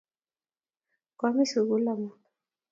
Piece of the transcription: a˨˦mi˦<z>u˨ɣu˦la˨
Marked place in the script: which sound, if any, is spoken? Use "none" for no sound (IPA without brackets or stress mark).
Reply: s